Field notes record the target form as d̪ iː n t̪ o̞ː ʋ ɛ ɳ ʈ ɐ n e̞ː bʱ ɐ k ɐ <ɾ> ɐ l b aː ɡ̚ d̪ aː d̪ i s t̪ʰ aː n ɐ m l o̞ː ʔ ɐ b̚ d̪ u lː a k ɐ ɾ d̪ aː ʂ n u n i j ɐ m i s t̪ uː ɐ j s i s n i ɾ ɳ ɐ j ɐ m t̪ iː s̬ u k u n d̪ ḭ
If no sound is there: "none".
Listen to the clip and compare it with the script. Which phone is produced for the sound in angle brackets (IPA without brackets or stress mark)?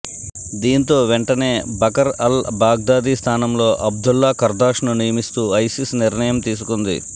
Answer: ɾ